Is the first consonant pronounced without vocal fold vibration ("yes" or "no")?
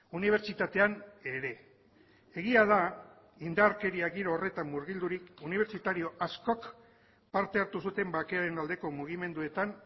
no